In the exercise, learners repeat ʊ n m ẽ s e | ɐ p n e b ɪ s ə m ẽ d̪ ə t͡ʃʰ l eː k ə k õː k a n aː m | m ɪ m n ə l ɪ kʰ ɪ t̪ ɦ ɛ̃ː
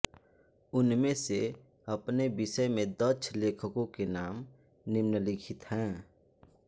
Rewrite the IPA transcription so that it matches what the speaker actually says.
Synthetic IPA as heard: ʊ n m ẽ s e | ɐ p n e b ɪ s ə m ẽ d̪ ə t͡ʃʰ l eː kʰ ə k õ k e n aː m | n ɪ m n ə l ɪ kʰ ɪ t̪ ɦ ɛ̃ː